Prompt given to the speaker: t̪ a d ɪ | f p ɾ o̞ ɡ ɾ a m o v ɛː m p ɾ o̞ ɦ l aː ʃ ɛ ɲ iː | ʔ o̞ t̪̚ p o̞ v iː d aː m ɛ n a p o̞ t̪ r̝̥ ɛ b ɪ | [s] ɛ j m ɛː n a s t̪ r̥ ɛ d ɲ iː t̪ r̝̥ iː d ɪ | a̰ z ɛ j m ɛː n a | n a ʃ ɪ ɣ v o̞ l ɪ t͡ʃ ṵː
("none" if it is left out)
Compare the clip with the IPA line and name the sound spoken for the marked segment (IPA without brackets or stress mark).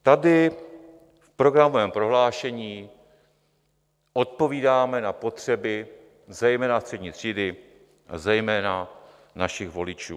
z